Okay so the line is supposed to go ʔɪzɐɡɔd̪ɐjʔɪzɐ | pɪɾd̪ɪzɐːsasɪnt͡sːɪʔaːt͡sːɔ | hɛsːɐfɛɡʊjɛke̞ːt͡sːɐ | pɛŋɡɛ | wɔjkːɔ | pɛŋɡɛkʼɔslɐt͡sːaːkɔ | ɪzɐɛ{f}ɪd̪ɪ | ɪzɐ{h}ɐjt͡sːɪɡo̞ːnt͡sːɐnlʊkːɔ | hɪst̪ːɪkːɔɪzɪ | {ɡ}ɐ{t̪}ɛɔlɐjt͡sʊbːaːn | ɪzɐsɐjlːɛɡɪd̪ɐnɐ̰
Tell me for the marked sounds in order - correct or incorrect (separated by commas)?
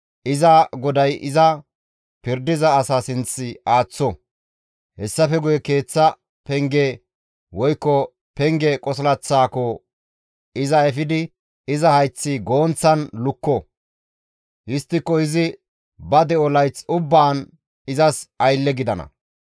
correct, correct, incorrect, incorrect